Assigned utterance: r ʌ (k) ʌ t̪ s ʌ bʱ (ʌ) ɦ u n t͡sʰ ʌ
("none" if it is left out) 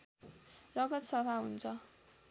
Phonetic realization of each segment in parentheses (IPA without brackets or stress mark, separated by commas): ɡ, a